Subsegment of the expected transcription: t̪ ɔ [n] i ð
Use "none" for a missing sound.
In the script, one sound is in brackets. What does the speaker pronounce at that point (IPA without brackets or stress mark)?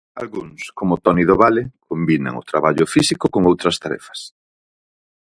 n